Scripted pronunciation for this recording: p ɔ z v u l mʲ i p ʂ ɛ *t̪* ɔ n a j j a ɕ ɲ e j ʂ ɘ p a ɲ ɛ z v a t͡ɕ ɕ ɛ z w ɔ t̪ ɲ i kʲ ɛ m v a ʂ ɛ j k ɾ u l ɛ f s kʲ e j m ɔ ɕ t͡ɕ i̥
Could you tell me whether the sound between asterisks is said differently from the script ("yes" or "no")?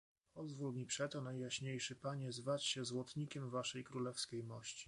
no